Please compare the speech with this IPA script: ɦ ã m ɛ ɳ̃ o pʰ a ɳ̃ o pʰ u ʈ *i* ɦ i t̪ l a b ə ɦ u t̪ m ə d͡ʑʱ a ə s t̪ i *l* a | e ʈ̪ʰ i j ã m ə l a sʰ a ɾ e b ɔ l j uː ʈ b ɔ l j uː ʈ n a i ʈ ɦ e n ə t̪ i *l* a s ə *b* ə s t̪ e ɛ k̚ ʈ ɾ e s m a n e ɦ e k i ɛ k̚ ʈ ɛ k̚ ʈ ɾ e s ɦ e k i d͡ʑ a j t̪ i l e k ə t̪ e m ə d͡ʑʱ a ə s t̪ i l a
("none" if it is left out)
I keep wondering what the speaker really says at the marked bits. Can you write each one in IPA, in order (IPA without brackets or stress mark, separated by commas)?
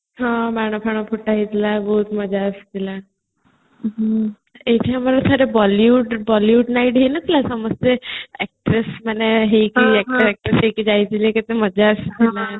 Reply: a, l, l, m